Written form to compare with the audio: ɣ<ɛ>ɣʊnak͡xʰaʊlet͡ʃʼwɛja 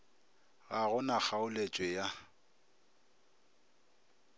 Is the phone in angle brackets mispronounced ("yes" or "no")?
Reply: yes